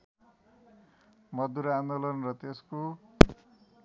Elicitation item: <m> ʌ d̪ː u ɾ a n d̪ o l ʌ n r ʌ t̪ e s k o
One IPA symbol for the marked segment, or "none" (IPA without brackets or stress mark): m